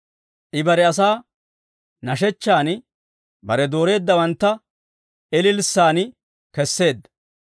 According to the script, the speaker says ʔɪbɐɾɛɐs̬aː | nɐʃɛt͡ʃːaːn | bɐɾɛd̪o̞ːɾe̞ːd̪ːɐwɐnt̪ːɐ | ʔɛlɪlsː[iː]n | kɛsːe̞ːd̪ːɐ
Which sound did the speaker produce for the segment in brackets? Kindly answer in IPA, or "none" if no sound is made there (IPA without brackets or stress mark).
aː